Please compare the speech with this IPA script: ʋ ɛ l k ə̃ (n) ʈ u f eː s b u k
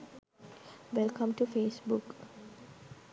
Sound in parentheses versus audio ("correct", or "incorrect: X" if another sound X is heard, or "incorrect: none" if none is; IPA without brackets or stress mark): incorrect: m